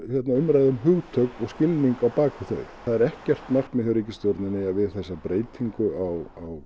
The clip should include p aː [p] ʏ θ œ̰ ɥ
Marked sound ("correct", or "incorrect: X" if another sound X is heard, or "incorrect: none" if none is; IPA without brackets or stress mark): incorrect: k